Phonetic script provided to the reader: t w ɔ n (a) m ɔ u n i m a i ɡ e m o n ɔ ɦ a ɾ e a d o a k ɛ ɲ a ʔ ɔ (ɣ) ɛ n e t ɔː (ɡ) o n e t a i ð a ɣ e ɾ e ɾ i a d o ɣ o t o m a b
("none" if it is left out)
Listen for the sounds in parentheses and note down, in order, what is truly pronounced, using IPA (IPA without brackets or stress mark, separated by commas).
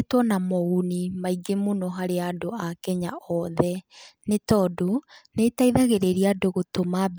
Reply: a, ð, d